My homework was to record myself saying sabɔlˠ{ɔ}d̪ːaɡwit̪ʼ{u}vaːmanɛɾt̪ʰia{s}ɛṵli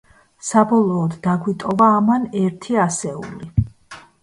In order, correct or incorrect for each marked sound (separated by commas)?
incorrect, incorrect, correct